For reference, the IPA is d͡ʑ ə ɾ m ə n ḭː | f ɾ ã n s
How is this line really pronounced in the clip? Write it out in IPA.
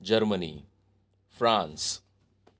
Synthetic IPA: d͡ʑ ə ɾ m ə n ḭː | f ɾ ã n s